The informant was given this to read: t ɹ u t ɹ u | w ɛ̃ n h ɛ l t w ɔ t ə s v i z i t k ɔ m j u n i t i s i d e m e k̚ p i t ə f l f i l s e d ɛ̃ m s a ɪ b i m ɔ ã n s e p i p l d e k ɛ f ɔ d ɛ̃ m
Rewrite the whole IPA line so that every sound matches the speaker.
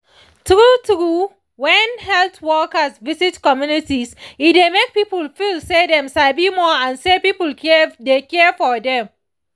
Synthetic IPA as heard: t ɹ u t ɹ u | w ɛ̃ n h ɛ l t w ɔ k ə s v i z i t k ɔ m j u n i t i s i d e m e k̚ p i p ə l f i l s e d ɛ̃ m s a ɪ b i m ɔ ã n s e p i p l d e k ɛ f ɔ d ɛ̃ m